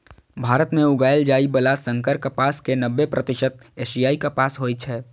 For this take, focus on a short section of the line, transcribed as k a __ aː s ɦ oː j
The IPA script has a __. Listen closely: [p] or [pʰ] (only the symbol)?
p